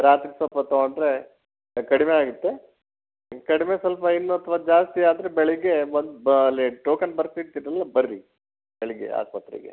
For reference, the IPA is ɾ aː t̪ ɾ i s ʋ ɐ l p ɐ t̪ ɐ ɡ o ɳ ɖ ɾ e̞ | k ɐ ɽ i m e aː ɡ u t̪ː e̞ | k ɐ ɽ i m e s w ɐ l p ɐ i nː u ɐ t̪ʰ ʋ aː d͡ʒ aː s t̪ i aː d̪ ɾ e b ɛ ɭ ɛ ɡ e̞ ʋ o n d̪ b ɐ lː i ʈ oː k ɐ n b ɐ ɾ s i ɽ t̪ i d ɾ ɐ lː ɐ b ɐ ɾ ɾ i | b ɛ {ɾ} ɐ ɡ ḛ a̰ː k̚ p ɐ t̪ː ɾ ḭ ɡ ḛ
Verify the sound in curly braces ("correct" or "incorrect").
incorrect